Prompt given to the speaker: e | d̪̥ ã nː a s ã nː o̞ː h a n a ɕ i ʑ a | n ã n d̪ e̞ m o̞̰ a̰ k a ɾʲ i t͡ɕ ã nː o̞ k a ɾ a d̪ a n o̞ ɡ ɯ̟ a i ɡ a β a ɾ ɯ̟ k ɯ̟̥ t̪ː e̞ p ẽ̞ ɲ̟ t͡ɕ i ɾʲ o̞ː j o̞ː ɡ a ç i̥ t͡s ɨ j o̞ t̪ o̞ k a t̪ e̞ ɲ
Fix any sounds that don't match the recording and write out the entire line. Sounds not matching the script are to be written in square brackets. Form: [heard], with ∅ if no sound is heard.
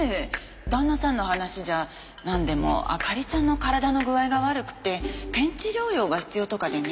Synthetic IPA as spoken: e | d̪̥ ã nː a s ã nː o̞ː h a n a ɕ i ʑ a | n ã n d̪ e̞ m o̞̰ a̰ k a ɾʲ i t͡ɕ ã nː o̞ k a ɾ a d̪ a n o̞ ɡ ɯ̟ a i ɡ a β a ɾ ɯ̟ k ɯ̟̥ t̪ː e̞ p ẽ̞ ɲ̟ t͡ɕ i ɾʲ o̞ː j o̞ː ɡ a ç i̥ t͡s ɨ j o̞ t̪ o̞ k a [d̪] e̞ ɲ

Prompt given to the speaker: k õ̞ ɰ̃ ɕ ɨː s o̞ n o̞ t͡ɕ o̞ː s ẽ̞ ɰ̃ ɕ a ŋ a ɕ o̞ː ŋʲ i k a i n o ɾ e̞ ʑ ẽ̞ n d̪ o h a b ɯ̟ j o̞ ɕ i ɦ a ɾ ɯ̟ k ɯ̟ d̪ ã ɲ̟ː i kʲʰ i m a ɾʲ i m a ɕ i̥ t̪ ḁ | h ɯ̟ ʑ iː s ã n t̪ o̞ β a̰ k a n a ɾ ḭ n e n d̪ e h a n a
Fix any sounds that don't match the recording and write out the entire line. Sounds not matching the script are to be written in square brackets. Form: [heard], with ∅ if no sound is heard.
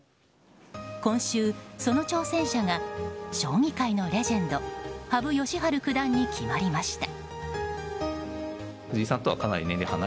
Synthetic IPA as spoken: k õ̞ ɰ̃ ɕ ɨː s o̞ n o̞ t͡ɕ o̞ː s ẽ̞ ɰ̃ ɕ a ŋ a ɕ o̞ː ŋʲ i k a i n o ɾ e̞ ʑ ẽ̞ n d̪ o h a b ɯ̟ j o̞ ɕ i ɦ a ɾ ɯ̟ k ɯ̟ d̪ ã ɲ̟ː i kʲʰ i m a ɾʲ i m a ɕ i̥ t̪ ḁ | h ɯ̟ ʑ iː s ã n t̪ o̞ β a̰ k a n a ɾ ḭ n e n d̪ e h a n a

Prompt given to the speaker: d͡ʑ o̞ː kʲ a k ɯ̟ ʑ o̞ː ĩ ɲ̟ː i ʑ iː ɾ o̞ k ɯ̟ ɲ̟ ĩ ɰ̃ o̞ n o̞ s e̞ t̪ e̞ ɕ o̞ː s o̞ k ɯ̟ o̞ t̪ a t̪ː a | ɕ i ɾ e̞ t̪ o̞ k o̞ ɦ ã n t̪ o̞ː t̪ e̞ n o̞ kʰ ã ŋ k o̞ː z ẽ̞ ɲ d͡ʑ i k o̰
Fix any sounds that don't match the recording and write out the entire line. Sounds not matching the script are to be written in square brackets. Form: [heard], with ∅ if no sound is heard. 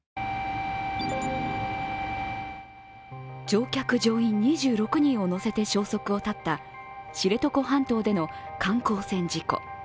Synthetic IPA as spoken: d͡ʑ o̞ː kʲ a k ɯ̟ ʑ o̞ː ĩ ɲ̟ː i ʑ [ɨː] ɾ o̞ k ɯ̟ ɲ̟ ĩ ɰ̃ o̞ n o̞ s e̞ t̪ e̞ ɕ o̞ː s o̞ k ɯ̟ o̞ t̪ a t̪ː a | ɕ i ɾ e̞ t̪ o̞ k o̞ ɦ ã n t̪ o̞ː [d̪] e̞ n o̞ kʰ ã ŋ k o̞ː [s] ẽ̞ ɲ d͡ʑ i k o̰

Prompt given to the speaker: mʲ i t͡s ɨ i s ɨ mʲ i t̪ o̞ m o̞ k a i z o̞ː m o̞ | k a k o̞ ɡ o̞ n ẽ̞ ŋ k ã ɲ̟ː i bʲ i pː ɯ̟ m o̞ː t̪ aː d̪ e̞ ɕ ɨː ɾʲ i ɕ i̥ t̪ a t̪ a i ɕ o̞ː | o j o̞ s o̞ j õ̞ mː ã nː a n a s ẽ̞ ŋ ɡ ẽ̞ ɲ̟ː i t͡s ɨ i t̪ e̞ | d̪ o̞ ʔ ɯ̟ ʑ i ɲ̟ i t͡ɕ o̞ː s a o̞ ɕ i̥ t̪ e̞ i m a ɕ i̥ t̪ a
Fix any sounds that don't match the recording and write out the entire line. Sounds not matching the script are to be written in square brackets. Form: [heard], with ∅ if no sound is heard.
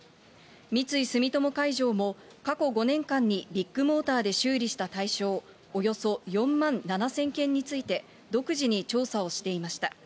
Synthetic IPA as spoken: mʲ i t͡s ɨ i s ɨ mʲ i t̪ o̞ m o̞ k a i [ʑ] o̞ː m o̞ | k a k o̞ ɡ o̞ n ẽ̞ ŋ k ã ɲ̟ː i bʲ i [kː] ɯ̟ m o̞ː t̪ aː d̪ e̞ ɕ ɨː ɾʲ i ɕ i̥ t̪ a t̪ a i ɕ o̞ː | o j o̞ s o̞ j õ̞ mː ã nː a n a s ẽ̞ ŋ [k] ẽ̞ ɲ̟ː i t͡s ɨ i t̪ e̞ | d̪ o̞ [k] ɯ̟ ʑ i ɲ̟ i t͡ɕ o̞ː s a o̞ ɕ i̥ t̪ e̞ i m a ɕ i̥ t̪ a

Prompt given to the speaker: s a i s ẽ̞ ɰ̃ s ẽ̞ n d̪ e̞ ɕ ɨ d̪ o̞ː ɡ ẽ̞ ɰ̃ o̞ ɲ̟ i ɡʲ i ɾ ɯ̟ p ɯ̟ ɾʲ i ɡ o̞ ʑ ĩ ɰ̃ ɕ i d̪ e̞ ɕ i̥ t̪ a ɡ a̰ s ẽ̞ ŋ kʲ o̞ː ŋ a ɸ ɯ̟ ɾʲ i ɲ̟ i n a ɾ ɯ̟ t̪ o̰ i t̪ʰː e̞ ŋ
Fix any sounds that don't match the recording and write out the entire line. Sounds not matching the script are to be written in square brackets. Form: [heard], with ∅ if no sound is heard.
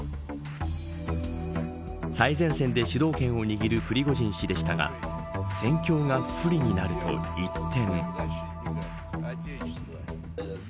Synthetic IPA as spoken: s a i [z] ẽ̞ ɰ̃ s ẽ̞ n d̪ e̞ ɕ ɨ d̪ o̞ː [k] ẽ̞ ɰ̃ o̞ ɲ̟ i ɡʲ i ɾ ɯ̟ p ɯ̟ ɾʲ i ɡ o̞ ʑ ĩ ɰ̃ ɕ i d̪ e̞ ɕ i̥ t̪ a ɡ a̰ s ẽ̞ ŋ kʲ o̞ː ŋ a ɸ ɯ̟ ɾʲ i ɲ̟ i n a ɾ ɯ̟ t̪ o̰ i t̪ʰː [ẽ̞] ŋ

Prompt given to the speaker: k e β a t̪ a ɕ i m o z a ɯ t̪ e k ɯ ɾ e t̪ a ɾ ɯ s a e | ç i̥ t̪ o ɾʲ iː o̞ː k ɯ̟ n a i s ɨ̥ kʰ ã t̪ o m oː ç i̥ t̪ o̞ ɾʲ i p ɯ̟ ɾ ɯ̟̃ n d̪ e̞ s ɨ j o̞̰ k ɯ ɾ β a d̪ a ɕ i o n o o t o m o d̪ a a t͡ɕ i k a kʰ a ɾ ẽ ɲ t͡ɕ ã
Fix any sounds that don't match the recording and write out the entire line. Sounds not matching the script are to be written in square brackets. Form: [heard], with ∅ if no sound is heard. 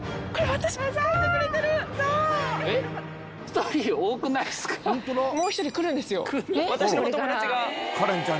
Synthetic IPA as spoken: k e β a t̪ a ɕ i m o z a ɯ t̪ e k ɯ ɾ e t̪ [e] ɾ ɯ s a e | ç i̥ t̪ o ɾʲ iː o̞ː k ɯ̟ n a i s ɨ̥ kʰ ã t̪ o m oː ç i̥ t̪ o̞ ɾʲ i [k] ɯ̟ ɾ ɯ̟̃ n d̪ e̞ s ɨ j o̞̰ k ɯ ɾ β a [t̪] a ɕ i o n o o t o m o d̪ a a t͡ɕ i [ɡ] a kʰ a ɾ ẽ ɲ t͡ɕ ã

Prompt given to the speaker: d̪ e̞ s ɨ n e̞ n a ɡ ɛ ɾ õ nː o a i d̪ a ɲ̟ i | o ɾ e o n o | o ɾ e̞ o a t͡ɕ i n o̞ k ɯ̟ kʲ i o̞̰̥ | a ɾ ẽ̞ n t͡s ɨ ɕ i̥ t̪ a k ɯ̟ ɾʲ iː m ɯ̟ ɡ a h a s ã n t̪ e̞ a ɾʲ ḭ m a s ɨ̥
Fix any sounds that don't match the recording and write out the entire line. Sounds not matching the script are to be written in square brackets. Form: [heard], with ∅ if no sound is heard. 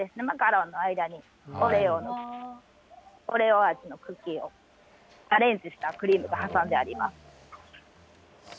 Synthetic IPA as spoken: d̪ e̞ s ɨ n e̞ [m] a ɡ [a] ɾ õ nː o a i d̪ a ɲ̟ i | o ɾ e o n o | o ɾ e̞ o a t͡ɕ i n o̞ k ɯ̟ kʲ i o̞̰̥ | a ɾ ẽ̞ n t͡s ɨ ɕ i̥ t̪ a k ɯ̟ ɾʲ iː m ɯ̟ ɡ a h a s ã n [d̪] e̞ a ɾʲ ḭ m a s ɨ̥

